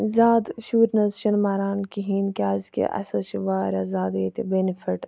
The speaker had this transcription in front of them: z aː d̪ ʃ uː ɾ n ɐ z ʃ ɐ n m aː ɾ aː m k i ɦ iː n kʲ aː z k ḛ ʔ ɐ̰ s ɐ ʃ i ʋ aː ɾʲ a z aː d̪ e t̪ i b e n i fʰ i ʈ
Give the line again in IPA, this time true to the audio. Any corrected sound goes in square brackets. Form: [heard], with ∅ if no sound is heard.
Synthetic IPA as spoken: z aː d̪ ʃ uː ɾ n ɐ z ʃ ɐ n m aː ɾ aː [n] k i ɦ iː n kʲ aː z k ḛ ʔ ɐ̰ s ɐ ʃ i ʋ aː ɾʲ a z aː d̪ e t̪ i b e n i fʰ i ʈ